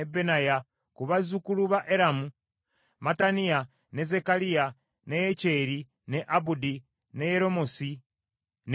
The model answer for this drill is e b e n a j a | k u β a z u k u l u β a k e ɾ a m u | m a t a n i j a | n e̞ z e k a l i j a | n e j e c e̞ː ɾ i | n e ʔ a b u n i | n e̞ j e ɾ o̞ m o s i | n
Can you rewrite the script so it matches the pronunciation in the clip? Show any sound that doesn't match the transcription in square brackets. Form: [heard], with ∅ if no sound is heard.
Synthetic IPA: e b e n a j a | k u β a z u k u l u β a [ʔ] e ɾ a m u | m a t a n i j a | n e̞ z e k a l i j a | n e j e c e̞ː ɾ i | n e ʔ a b u [d] i | n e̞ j e ɾ o̞ m o s i | n